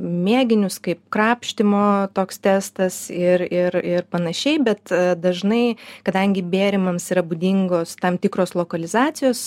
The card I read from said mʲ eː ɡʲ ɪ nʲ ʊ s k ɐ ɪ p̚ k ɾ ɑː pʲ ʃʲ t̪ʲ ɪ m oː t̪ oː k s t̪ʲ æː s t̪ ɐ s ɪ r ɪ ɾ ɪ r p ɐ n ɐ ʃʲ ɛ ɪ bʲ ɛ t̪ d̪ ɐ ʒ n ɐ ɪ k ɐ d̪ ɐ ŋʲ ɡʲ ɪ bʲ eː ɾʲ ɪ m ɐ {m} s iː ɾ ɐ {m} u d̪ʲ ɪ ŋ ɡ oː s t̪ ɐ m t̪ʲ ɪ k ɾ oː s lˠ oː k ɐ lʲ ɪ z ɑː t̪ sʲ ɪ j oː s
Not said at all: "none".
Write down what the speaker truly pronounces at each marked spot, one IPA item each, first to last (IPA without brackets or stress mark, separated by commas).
m, b